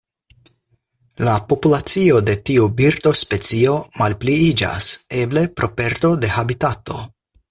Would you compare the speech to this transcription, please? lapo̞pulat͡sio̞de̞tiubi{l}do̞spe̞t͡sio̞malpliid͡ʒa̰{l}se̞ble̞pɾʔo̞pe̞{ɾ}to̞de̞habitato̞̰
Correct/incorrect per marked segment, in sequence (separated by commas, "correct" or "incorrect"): incorrect, incorrect, correct